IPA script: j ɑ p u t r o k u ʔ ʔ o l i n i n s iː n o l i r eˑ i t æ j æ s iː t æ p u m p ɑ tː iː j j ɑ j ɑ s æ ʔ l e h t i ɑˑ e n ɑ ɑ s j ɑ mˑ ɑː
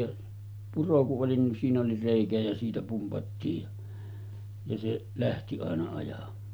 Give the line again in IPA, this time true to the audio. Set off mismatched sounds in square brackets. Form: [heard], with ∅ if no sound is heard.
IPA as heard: j ɑ p u [∅] r o k u ʔ ʔ o l i n i n s iː n o l i r eˑ i [k] æ j æ s iː t æ p u m p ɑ tː iː j j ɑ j ɑ s [e] ʔ l [æ] h t i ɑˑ e n ɑ ɑ [∅] j ɑ mˑ ɑː

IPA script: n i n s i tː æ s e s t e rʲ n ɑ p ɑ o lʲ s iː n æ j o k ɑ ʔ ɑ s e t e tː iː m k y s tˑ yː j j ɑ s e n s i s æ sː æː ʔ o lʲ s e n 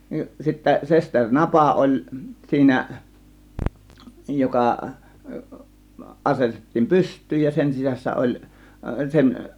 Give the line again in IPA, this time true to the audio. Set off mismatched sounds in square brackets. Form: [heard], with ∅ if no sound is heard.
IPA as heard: n i n s i tː æ s e s t e rʲ n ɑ p ɑ o lʲ s iː n æ j o k ɑ ʔ ɑ s e t e tː iː m [p] y s tˑ yː j j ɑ s e n s i s æ sː [æ] ʔ o lʲ s e n

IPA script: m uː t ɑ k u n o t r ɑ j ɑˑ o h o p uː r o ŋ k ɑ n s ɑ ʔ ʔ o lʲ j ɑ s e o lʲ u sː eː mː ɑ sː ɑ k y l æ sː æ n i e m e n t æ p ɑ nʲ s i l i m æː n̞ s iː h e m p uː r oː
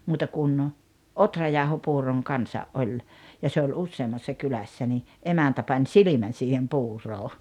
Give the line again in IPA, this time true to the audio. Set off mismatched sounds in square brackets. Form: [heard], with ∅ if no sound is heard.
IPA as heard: m uː t ɑ k u n o t r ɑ j ɑˑ o h o p uː r o ŋ k ɑ n s ɑ ʔ ʔ o lʲ j ɑ s e o lʲ u sː eː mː ɑ sː ɑ k y l æ sː æ n i e m [æ] n t æ p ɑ nʲ s i l i m [æ] n̞ s iː h e m p uː r oː

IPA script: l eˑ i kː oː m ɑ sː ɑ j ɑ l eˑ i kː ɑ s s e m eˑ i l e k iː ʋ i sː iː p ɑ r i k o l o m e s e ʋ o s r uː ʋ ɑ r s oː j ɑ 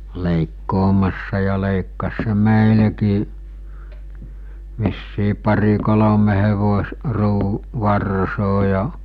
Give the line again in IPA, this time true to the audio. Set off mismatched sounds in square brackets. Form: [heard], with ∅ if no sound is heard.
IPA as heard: l eˑ i kː oː m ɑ sː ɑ j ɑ l eˑ i kː ɑ s s e m eˑ i l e k iː ʋ i sː iː p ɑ r i k o l o m e [h] e ʋ o s r uː ʋ ɑ r s oː j ɑ

